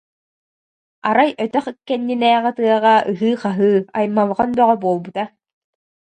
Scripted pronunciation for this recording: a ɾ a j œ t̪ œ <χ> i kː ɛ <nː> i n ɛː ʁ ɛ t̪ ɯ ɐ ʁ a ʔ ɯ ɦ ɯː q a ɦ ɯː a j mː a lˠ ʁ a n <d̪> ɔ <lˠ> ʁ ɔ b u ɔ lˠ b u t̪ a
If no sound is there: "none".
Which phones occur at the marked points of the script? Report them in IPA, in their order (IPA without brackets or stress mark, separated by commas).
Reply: χ, nː, d̪, none